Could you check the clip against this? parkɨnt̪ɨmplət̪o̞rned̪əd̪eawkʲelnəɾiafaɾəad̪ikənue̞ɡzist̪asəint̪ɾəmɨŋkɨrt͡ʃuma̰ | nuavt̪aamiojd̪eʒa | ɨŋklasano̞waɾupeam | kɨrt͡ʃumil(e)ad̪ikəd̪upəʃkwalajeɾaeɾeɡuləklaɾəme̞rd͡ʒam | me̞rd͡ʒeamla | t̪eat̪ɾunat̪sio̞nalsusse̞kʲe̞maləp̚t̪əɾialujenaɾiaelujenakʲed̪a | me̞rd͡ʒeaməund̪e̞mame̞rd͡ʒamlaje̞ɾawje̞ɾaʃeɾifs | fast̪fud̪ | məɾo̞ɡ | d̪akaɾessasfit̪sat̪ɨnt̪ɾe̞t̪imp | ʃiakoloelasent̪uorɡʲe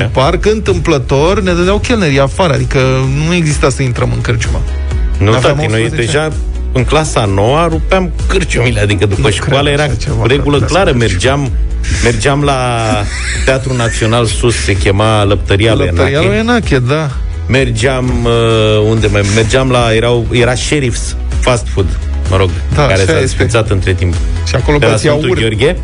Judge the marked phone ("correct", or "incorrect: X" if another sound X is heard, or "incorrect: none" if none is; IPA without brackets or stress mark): correct